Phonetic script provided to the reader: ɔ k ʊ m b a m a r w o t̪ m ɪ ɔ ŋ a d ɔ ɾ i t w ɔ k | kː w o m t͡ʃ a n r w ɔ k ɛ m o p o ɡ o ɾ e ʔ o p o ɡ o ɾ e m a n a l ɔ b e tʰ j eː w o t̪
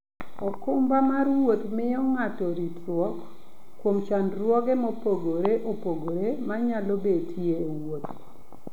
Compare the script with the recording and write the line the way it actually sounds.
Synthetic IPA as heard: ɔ k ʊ m b a m a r w o t̪ m ɪ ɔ ŋ a t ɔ ɾ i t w ɔ k | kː w o m t͡ʃ a n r w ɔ ɡ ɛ m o p o ɡ o ɾ e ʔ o p o ɡ o ɾ e m a ɲ a l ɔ b e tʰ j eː w o t̪